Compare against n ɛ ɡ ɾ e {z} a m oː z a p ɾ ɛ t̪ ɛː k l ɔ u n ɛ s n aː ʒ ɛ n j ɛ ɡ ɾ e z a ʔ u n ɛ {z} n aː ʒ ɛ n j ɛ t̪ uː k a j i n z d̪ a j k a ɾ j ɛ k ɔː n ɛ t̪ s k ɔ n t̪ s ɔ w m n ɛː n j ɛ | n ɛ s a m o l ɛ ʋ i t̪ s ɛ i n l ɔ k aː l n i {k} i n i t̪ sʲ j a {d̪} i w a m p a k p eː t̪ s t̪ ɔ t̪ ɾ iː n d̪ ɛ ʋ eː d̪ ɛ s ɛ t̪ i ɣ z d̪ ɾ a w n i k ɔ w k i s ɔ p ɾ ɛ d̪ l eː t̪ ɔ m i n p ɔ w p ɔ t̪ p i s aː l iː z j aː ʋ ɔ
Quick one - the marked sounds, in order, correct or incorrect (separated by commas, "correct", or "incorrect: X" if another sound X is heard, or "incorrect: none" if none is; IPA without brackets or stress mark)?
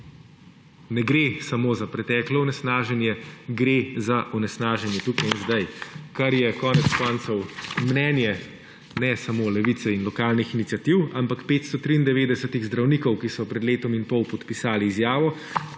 incorrect: s, incorrect: s, incorrect: x, incorrect: t̪